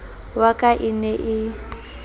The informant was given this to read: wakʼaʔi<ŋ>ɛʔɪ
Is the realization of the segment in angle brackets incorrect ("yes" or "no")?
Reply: yes